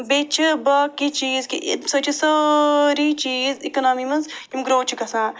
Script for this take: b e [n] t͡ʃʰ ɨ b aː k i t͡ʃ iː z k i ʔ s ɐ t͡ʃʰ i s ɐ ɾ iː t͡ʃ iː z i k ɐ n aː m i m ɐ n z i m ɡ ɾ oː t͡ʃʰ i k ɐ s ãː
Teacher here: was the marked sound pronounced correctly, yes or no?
no